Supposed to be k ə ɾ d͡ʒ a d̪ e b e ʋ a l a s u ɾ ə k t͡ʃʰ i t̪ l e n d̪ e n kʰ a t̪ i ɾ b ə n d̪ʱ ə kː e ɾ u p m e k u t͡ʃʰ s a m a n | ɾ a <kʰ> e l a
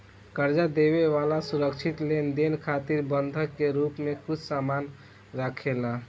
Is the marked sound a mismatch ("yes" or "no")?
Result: no